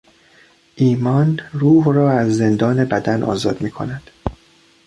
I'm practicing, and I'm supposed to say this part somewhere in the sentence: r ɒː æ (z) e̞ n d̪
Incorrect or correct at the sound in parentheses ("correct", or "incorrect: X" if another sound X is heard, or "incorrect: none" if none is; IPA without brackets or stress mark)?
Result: incorrect: zː